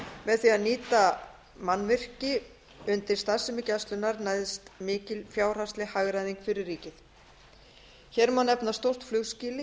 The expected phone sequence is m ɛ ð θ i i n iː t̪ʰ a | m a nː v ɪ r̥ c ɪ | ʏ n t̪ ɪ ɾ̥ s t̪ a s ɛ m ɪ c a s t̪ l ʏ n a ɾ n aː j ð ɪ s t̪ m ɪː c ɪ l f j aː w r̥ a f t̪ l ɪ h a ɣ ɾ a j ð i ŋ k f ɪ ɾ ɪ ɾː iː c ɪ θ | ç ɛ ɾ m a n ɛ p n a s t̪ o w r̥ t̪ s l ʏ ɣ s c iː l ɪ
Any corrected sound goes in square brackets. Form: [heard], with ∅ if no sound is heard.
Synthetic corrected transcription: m ɛ ð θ i [a] n iː [t̪] a | m a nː v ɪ r̥ c ɪ | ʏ n t̪ ɪ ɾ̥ s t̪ a s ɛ m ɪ c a s t̪ l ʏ n a ɾ n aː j ð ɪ s t̪ m ɪː c ɪ l f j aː w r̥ a [s] t̪ l ɪ h a ɣ ɾ a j ð i ŋ k f ɪ ɾ ɪ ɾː iː c ɪ θ | ç ɛ ɾ m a n ɛ p n a s t̪ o w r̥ t̪ [f] l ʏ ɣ s c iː l ɪ